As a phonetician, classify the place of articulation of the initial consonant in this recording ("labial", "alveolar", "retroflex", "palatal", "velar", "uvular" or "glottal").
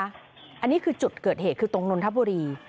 glottal